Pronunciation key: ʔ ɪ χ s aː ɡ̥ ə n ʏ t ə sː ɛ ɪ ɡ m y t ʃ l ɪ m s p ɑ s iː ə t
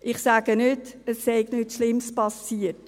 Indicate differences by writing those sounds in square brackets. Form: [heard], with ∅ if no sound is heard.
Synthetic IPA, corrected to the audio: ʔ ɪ χ s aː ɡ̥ ə n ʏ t ə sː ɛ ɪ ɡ [n] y t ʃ l ɪ m s p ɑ s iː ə t

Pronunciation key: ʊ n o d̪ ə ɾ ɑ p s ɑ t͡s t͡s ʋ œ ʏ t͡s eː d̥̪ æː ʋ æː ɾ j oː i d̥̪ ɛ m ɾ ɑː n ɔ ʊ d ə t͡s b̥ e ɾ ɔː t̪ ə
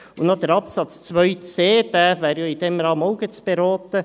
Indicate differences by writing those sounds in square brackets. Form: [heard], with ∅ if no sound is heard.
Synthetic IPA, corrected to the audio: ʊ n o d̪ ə ɾ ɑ p s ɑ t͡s t͡s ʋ œ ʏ t͡s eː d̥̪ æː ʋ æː ɾ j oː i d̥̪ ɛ m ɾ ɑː [m] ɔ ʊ [ɡ] ə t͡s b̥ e ɾ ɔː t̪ ə

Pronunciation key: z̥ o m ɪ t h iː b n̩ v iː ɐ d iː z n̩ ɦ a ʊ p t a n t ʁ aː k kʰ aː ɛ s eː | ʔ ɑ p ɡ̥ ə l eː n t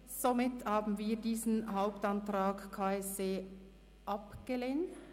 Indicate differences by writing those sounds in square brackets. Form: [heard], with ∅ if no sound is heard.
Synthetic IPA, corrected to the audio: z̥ o m ɪ t h [aː] b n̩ v iː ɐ d iː z n̩ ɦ a ʊ p t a n t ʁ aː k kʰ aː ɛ s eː | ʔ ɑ p ɡ̥ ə l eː n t

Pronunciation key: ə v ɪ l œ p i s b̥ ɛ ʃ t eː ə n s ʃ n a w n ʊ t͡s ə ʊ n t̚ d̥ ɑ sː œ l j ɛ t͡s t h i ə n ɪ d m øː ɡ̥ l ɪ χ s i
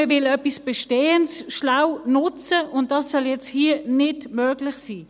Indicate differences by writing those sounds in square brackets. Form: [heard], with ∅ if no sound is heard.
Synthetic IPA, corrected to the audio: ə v ɪ l œ p i s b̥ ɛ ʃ t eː ə n s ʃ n a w n ʊ t͡s ə ʊ n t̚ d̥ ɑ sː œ l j ɛ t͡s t h i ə n ɪ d m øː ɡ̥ l ɪ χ s [iː]

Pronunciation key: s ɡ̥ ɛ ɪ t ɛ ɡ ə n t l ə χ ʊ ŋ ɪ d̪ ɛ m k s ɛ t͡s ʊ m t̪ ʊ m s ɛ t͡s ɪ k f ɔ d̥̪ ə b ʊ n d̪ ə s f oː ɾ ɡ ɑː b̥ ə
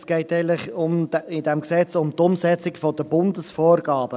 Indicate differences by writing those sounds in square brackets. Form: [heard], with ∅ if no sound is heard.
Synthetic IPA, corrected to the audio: s ɡ̥ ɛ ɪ t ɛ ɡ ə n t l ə χ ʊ [m] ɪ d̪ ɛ m k s ɛ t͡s ʊ m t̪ ʊ m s ɛ t͡s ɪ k f ɔ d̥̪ ə b ʊ n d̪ ə s f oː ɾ ɡ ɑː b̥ ə

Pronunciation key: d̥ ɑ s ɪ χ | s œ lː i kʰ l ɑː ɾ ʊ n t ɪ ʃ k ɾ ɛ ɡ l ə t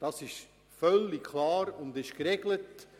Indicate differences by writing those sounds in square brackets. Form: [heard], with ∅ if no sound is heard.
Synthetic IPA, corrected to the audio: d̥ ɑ s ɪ [ʃ] | [f] œ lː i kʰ l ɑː ɾ ʊ n [d] ɪ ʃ k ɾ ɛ ɡ l ə t

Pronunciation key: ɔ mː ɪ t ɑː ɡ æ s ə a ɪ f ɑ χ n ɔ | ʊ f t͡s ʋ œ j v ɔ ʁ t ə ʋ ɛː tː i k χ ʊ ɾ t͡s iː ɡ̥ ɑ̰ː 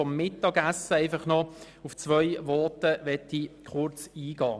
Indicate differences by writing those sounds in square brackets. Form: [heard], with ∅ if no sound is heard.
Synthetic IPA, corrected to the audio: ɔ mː ɪ t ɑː ɡ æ s ə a ɪ f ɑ χ n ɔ | ʊ f t͡s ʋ œ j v ɔ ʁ t ə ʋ [ɛ] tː i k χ ʊ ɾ t͡s iː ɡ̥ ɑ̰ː

